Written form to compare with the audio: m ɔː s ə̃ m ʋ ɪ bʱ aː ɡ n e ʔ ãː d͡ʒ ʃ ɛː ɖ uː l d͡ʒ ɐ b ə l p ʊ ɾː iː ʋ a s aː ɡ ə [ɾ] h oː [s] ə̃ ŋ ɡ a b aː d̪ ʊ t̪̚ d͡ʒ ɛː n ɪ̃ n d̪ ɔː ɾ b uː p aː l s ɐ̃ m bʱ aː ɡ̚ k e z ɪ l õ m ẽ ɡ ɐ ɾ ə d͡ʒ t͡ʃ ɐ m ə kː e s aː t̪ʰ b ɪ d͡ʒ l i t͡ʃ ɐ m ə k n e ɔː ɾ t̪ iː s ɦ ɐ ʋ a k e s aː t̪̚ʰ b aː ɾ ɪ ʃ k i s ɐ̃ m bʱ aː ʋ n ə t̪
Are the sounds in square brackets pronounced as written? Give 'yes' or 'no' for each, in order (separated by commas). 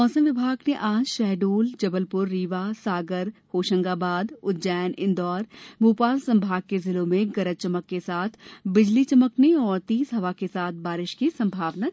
yes, no